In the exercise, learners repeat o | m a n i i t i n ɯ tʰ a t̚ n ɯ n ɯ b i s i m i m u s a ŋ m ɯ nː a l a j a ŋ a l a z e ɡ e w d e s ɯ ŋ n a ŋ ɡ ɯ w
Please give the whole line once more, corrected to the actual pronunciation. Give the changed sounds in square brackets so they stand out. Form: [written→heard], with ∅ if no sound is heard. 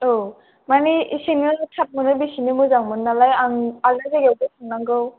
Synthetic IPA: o | m a n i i [t→s] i n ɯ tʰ a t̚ [n→m] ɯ n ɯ b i s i [m→n] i m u [s→z] a ŋ m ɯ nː a l a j a ŋ a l a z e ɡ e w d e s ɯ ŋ n a ŋ ɡ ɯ w

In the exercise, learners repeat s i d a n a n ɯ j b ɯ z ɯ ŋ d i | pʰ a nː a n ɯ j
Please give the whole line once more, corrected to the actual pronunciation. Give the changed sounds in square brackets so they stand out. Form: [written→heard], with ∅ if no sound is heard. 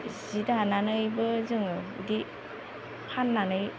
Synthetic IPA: [s→z] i d a n a n ɯ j b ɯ z ɯ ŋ d i | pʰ a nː a n ɯ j

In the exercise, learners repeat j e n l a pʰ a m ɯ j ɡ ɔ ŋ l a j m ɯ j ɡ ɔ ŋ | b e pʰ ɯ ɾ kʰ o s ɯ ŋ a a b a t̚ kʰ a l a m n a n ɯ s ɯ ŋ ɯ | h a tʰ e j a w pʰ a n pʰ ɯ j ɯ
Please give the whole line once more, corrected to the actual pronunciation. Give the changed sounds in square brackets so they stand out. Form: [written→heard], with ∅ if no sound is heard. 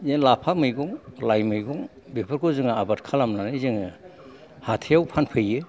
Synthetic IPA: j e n l a pʰ a m ɯ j ɡ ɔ ŋ l a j m ɯ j ɡ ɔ ŋ | b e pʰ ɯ ɾ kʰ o [s→z] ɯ ŋ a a b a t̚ kʰ a l a m n a n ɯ [s→z] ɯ ŋ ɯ | h a tʰ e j a w pʰ a n pʰ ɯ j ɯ

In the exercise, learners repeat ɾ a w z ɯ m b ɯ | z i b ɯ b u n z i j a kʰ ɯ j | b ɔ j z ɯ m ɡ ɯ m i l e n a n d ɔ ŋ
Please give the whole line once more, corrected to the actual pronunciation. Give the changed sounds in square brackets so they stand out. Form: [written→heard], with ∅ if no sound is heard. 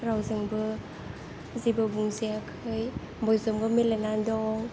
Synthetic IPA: ɾ a w z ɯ [m→ŋ] b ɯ | z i b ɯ b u [n→ŋ] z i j a kʰ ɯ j | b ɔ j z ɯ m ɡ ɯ m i l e n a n d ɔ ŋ

